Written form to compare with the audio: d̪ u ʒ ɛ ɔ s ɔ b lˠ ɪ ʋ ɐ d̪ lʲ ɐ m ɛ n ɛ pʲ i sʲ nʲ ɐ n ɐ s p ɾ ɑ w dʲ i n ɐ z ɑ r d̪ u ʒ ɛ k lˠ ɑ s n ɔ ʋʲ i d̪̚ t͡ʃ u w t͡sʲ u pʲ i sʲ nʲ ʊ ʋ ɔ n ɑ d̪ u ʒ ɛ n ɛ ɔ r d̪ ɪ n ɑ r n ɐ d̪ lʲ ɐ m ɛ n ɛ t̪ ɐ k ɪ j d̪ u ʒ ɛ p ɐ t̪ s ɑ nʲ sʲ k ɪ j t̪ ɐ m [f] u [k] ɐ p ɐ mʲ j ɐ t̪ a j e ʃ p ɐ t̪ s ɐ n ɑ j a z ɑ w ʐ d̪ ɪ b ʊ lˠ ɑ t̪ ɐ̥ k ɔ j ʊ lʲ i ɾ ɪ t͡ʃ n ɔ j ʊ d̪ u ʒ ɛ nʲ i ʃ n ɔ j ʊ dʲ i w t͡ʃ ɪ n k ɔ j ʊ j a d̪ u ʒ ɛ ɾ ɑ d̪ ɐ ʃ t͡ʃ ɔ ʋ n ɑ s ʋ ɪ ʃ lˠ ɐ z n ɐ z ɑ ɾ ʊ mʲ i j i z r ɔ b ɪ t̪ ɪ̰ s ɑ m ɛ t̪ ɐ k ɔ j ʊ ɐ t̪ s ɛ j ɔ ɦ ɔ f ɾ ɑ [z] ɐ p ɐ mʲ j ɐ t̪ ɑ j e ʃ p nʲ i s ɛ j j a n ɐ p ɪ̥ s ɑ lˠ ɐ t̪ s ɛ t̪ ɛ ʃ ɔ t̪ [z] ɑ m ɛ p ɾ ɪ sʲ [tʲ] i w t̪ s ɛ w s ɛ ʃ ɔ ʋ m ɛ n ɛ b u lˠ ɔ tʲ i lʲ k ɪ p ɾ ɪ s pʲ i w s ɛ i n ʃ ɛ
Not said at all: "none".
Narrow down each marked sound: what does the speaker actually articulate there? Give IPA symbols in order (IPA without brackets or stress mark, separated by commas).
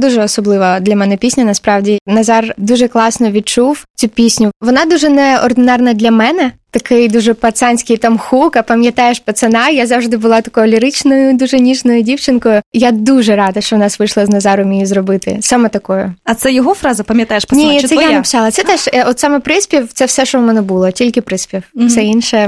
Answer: x, k, z, s, pʲ